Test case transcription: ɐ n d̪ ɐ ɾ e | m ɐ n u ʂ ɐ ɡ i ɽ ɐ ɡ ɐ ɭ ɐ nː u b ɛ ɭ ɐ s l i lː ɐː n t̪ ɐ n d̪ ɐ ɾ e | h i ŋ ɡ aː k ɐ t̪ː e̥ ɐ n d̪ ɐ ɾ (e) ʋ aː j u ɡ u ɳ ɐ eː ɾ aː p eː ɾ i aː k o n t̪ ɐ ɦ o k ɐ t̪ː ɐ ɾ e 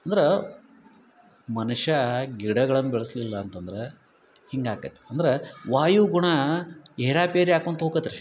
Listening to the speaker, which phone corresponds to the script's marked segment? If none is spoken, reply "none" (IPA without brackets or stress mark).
e